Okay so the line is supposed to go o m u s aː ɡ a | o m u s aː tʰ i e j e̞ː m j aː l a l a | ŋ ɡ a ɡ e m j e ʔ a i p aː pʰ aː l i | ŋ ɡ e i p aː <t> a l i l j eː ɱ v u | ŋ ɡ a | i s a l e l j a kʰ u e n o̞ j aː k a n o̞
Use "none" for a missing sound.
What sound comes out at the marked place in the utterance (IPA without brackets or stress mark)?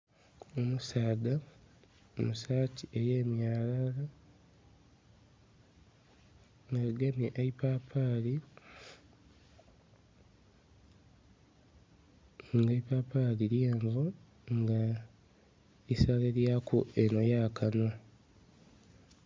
p